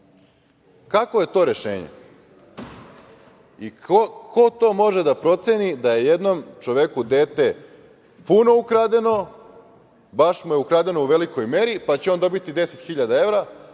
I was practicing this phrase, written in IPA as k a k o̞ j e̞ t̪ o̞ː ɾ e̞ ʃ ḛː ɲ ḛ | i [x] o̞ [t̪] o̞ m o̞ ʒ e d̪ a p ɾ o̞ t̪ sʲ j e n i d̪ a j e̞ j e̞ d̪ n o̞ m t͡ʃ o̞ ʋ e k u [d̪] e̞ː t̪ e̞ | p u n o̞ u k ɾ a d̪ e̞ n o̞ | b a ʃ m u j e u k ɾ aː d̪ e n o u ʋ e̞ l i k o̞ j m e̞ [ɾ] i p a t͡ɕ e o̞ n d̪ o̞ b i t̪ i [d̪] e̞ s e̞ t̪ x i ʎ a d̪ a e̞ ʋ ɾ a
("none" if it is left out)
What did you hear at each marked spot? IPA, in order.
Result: k, t̪, d̪, ɾ, d̪

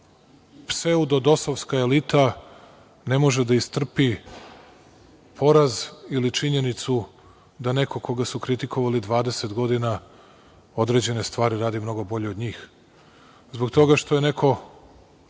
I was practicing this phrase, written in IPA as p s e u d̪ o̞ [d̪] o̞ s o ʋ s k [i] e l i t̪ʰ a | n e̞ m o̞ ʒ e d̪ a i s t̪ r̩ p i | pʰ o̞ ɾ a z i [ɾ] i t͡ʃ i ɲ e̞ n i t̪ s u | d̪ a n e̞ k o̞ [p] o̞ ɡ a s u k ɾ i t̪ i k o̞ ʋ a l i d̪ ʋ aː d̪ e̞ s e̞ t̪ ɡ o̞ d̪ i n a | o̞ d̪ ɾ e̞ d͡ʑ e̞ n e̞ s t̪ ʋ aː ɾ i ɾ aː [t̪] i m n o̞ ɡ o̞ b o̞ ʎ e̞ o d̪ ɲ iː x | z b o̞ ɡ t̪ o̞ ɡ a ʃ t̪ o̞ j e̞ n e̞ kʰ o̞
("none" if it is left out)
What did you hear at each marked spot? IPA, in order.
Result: d̪, a, l, k, d̪

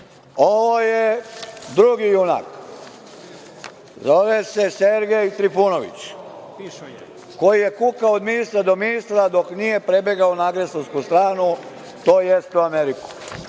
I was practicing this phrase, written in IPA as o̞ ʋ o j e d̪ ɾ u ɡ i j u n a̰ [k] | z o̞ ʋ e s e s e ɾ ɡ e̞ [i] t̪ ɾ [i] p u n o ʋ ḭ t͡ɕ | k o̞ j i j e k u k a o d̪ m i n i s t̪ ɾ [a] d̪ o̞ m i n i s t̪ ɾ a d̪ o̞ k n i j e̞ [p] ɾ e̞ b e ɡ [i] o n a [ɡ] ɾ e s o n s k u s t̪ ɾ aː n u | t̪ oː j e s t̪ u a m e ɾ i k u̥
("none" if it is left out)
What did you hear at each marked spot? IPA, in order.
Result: k, j, i, a, p, a, ɡ

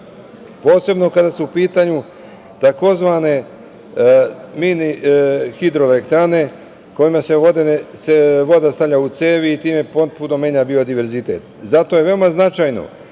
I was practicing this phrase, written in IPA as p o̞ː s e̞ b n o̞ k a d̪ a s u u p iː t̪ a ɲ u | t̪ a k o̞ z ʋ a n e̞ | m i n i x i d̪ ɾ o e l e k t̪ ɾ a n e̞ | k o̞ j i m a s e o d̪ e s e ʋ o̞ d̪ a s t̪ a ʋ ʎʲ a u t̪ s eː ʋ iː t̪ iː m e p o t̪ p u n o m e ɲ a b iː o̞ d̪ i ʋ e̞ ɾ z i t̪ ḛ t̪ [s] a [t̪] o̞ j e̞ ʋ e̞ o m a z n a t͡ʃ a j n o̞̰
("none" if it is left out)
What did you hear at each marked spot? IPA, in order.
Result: z, t̪

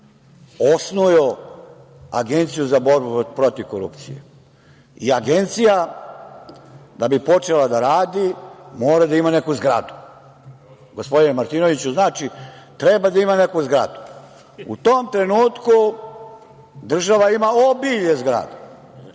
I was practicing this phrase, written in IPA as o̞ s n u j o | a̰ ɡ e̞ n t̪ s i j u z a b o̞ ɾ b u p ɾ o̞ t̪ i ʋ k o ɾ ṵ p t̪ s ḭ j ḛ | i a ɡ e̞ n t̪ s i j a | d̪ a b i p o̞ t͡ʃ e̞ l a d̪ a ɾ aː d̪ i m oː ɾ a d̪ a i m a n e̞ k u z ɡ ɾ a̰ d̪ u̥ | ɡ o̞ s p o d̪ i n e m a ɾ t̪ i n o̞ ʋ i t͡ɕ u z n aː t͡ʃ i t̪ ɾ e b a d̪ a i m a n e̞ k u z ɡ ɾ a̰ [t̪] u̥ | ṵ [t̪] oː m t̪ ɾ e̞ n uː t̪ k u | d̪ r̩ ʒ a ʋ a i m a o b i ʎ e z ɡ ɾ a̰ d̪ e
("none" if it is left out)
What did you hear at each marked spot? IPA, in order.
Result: d̪, t̪

